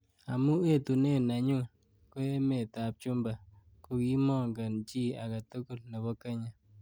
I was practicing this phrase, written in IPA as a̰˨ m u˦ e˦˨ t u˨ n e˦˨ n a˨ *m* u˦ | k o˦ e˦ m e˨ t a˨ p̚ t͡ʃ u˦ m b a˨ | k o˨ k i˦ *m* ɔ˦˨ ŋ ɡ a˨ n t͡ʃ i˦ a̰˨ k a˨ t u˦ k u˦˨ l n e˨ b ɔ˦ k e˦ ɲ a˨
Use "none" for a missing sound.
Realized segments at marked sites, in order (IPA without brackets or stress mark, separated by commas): ɲ, m